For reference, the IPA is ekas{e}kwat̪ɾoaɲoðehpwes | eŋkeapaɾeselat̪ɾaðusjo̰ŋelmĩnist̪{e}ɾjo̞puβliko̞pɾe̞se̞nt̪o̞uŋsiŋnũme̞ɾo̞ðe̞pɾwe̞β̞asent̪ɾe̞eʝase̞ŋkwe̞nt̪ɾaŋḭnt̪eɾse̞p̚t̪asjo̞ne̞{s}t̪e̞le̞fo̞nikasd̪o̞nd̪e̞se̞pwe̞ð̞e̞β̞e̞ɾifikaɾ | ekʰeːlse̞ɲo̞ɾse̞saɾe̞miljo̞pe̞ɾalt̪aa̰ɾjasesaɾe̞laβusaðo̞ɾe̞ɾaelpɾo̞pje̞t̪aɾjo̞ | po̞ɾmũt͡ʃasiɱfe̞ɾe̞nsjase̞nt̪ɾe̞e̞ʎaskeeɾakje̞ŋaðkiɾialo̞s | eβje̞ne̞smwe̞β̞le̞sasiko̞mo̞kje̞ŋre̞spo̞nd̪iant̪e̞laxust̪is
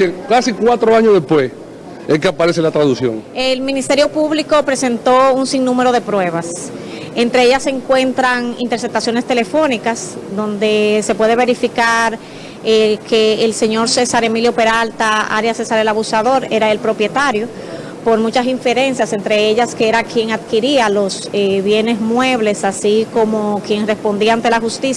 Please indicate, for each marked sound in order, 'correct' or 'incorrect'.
incorrect: i, correct, correct

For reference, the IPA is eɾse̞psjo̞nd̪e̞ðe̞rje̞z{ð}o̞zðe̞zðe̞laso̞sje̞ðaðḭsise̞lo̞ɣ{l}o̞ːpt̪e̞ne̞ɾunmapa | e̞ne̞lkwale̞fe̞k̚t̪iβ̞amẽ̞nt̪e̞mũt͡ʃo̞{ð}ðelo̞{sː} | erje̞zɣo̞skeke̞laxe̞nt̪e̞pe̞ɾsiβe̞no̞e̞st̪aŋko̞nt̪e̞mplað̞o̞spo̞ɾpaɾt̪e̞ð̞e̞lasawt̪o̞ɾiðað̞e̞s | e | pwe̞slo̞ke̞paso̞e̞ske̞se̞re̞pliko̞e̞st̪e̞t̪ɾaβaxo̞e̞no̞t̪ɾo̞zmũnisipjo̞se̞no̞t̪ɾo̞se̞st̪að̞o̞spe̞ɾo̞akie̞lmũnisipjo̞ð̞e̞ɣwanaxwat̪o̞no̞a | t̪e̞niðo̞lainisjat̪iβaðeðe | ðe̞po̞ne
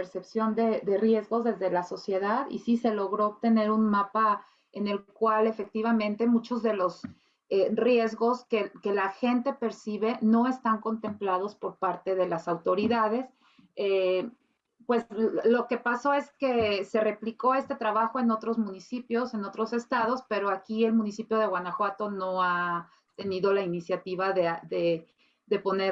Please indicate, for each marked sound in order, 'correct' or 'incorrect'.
incorrect: ɣ, incorrect: ɾ, incorrect: z, incorrect: s

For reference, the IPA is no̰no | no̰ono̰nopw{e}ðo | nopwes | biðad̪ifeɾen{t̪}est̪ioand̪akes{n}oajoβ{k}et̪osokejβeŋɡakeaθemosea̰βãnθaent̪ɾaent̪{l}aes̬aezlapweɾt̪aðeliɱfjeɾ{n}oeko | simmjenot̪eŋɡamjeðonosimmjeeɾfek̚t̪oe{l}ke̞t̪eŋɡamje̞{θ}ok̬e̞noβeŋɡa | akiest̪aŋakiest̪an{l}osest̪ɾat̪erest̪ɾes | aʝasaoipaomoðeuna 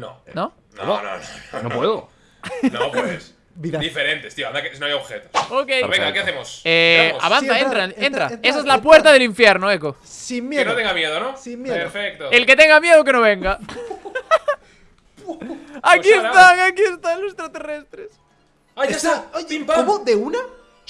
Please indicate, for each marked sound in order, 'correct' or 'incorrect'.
correct, correct, correct, incorrect: x, incorrect: ɾ, correct, correct, incorrect: ð, correct

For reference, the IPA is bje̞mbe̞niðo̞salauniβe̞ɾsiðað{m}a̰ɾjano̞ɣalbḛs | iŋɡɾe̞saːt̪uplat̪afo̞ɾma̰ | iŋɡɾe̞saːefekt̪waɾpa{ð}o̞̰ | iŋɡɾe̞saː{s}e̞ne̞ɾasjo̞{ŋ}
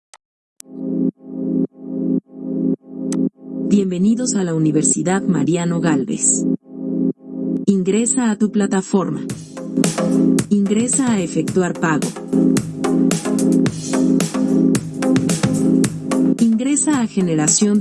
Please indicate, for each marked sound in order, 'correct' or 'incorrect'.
correct, incorrect: ɣ, incorrect: x, incorrect: n

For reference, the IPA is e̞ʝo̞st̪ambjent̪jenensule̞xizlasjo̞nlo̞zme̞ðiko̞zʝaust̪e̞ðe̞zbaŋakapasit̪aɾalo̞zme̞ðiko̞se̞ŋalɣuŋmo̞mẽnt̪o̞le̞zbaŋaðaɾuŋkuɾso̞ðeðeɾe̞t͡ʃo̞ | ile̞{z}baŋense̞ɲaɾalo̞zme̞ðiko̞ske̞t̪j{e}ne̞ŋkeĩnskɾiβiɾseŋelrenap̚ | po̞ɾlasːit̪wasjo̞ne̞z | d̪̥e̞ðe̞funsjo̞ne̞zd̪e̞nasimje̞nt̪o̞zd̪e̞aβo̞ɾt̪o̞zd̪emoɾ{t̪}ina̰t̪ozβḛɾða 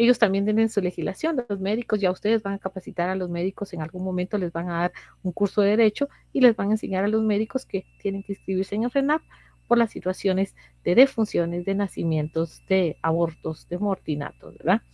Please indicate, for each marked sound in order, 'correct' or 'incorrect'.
correct, correct, correct

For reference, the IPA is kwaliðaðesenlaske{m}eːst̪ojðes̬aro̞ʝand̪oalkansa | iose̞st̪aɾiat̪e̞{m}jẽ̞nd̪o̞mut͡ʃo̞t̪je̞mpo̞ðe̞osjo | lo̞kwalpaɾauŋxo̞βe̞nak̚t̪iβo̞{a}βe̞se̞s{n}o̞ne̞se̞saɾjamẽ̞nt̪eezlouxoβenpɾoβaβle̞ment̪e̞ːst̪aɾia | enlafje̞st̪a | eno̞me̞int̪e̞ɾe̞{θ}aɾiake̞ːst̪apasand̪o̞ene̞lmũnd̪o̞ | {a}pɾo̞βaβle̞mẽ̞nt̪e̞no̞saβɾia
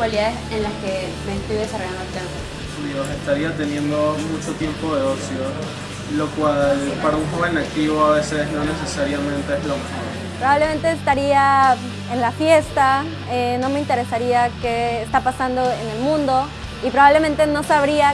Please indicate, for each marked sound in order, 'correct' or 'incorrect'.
correct, incorrect: n, correct, correct, incorrect: s, incorrect: i

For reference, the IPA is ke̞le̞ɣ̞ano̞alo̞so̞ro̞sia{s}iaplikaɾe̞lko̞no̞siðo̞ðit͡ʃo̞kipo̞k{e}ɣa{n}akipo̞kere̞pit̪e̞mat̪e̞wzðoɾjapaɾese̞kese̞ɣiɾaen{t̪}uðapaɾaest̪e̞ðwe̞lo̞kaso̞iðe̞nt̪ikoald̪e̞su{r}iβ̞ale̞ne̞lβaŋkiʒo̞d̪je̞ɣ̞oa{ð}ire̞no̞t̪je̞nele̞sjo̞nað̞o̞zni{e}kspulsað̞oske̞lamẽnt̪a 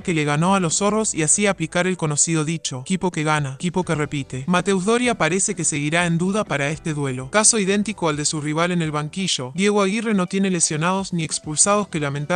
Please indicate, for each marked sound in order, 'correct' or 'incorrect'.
correct, correct, correct, incorrect: d̪, correct, incorrect: ɣ, correct

